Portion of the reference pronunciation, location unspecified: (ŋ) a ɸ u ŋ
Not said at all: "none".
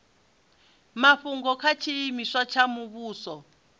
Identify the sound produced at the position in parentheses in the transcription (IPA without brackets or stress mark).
m